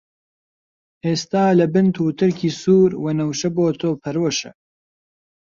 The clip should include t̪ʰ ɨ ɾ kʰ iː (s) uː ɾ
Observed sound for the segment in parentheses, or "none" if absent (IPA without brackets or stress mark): s